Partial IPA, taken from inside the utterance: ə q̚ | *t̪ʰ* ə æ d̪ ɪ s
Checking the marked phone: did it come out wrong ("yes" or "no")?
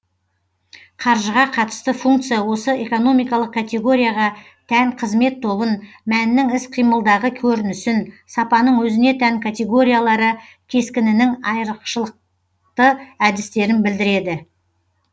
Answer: yes